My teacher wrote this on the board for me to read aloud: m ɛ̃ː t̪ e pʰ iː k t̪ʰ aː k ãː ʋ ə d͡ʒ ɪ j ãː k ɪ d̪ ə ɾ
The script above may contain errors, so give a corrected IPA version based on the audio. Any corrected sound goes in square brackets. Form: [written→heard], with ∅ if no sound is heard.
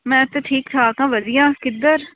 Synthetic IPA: m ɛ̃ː t̪ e [pʰ→ʈʰ] iː k t̪ʰ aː k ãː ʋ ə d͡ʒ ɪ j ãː k ɪ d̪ ə ɾ

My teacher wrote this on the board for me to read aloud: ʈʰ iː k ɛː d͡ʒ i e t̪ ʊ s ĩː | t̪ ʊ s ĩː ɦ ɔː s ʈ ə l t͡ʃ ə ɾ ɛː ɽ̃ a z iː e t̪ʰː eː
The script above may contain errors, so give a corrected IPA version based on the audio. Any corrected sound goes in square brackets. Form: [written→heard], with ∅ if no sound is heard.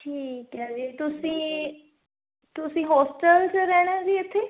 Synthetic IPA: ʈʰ iː k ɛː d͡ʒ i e t̪ ʊ s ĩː | t̪ ʊ s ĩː ɦ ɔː s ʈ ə l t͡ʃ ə ɾ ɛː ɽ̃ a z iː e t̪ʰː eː

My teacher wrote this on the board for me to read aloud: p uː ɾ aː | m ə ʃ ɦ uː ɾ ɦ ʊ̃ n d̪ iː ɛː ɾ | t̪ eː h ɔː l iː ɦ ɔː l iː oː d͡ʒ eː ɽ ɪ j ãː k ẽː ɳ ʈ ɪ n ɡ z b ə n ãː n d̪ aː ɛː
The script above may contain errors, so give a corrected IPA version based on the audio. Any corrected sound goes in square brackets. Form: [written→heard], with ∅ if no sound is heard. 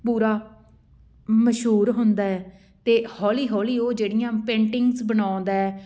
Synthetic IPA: p uː ɾ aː | m ə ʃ ɦ uː ɾ ɦ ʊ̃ n d̪ [iː→aː] ɛː [ɾ→∅] | t̪ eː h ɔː l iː ɦ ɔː l iː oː d͡ʒ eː ɽ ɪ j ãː [k→p] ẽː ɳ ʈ ɪ [n→ŋ] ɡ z b ə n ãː n d̪ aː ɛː

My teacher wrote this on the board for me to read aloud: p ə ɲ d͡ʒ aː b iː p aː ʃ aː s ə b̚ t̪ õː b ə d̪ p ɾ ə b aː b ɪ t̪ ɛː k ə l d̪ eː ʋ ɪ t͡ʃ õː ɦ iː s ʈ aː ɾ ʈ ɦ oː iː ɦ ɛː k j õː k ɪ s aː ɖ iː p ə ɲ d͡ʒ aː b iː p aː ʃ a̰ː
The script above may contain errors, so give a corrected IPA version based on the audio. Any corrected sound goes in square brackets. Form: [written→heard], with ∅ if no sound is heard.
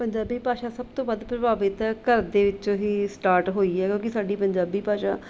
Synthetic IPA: p ə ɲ d͡ʒ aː b iː p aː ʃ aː s ə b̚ t̪ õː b ə d̪ p ɾ ə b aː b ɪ t̪ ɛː k ə [l→ɾ] d̪ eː ʋ ɪ t͡ʃ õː ɦ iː s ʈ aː ɾ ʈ ɦ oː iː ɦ ɛː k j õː k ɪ s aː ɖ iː p ə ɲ d͡ʒ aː b iː p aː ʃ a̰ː

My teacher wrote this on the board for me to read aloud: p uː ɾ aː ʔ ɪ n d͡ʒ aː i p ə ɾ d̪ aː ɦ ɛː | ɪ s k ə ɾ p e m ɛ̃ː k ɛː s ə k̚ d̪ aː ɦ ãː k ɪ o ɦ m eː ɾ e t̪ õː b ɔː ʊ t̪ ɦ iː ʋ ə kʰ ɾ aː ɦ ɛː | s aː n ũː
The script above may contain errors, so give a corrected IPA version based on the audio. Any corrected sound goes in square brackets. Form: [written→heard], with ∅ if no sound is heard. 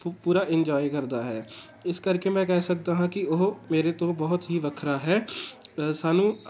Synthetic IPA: p uː ɾ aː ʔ ɪ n d͡ʒ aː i [p→k] ə ɾ d̪ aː ɦ ɛː | ɪ s k ə ɾ [p→k] e m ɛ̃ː k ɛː s ə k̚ d̪ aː ɦ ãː k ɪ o ɦ m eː ɾ e t̪ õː b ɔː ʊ t̪ ɦ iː ʋ ə kʰ ɾ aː ɦ ɛː | s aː n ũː

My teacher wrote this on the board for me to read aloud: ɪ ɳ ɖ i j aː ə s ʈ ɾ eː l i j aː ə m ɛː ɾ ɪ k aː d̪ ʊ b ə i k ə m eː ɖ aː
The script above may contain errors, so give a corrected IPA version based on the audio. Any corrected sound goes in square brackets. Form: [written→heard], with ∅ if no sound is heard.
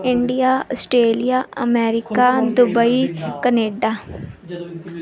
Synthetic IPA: ɪ ɳ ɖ i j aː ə s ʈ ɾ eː l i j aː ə m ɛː ɾ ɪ k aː d̪ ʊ b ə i k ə [m→n] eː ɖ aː

